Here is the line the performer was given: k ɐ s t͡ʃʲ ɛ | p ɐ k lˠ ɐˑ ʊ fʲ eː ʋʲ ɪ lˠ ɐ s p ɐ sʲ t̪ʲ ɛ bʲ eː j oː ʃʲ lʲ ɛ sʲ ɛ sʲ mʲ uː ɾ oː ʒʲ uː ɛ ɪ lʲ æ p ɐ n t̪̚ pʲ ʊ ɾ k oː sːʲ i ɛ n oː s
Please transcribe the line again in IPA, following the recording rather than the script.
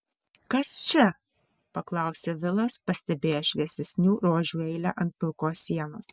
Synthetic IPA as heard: k ɐ s t͡ʃʲ ɛ | p ɐ k lˠ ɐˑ ʊ sʲ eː ʋʲ ɪ lˠ ɐ s p ɐ sʲ t̪ʲ ɛ bʲ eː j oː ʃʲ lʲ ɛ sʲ ɛ sʲ nʲ uː ɾ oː ʒʲ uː ɛ ɪ lʲ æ ʔ ɐ n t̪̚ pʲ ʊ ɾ k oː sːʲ i ɛ n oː s